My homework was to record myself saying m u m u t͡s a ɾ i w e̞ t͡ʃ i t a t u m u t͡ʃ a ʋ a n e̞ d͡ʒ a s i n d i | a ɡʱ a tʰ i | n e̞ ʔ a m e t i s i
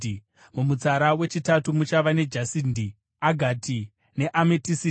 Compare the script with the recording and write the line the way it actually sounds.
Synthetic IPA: m u m u t͡s a ɾ a w e̞ t͡ʃ i t a t u m u t͡ʃ a ʋ a n e̞ d͡ʒ a s i n d i | a ɡʱ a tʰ i | n e̞ ʔ a m e t i s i